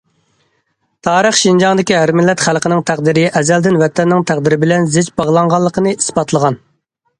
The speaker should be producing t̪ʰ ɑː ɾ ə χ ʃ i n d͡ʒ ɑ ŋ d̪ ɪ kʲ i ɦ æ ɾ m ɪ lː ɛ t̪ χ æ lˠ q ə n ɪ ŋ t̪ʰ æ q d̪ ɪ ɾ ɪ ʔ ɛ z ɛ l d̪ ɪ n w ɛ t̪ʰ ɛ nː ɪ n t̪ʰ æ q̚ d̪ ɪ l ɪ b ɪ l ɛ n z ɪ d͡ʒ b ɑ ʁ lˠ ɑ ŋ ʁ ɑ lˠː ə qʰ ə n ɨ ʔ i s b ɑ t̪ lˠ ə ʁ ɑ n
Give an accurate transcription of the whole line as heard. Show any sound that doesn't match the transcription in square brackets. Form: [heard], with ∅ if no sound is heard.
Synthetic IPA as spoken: t̪ʰ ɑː ɾ ə χ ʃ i n d͡ʒ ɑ ŋ d̪ ɪ kʲ i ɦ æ ɾ m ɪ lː ɛ t̪ χ æ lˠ q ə n ɪ ŋ t̪ʰ æ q d̪ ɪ ɾ ɪ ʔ ɛ z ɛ l d̪ ɪ n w ɛ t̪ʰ ɛ nː ɪ [ŋ] t̪ʰ æ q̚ d̪ ɪ [ɾ] ɪ b ɪ l ɛ n z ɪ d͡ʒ b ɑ ʁ lˠ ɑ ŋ ʁ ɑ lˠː ə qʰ ə n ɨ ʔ i s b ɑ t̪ lˠ ə ʁ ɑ n

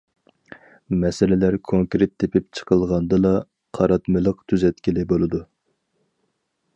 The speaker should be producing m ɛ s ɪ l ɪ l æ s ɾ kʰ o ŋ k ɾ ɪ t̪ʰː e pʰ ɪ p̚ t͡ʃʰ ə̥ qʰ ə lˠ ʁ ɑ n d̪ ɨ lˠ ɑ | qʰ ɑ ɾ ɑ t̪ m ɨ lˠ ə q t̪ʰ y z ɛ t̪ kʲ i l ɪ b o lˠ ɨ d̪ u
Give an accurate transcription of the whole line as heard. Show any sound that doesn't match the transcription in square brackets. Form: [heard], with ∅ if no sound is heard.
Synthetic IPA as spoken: m ɛ s ɪ l ɪ l æ [∅] ɾ kʰ o ŋ k ɾ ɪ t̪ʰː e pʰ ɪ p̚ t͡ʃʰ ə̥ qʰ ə lˠ ʁ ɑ n d̪ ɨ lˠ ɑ | qʰ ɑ ɾ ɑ t̪ m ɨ lˠ ə q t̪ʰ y z ɛ t̪ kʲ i l ɪ b o lˠ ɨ d̪ u

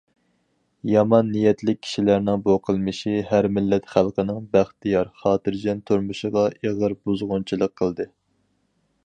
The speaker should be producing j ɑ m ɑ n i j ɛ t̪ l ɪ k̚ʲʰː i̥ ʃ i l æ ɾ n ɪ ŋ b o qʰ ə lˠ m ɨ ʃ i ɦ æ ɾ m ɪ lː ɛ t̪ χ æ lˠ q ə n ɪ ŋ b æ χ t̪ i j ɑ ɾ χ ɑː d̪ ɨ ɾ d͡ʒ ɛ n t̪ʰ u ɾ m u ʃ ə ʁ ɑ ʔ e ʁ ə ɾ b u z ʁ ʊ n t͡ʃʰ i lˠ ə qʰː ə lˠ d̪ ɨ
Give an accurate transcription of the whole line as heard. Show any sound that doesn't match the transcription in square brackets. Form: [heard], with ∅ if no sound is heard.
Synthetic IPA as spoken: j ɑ m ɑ [nː] i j ɛ t̪ l ɪ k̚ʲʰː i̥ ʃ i l æ ɾ n ɪ ŋ b o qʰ ə lˠ m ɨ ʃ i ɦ æ ɾ m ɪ lː ɛ t̪ χ æ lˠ q ə n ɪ ŋ b æ χ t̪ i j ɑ ɾ χ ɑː [t̪] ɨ ɾ d͡ʒ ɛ n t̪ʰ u ɾ m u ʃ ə ʁ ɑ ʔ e ʁ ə ɾ b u z ʁ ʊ n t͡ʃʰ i lˠ ə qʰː ə lˠ d̪ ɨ

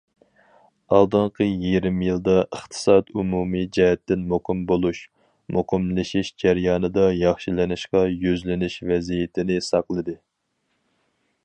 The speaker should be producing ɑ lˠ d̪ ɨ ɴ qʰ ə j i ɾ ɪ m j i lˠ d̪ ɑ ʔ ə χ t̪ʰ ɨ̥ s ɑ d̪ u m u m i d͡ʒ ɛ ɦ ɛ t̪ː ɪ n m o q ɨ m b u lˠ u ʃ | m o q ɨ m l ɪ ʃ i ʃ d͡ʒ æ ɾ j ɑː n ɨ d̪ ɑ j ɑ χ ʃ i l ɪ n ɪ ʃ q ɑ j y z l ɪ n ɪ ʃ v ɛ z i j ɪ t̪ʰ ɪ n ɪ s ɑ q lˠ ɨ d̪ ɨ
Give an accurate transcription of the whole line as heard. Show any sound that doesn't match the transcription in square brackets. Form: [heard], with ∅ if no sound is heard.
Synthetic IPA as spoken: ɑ lˠ d̪ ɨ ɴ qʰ ə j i ɾ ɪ m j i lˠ d̪ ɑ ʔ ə χ t̪ʰ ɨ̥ s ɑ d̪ u m u m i d͡ʒ ɛ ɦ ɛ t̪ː ɪ n m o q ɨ m b [o] lˠ u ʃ | m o q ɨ m l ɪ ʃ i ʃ d͡ʒ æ ɾ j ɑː n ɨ d̪ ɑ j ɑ χ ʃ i l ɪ n ɪ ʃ q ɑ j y z l ɪ n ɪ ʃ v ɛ z i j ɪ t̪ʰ ɪ n ɪ s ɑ q lˠ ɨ d̪ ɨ

